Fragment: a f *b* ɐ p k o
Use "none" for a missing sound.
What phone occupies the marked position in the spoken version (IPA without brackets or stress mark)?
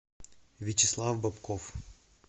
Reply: b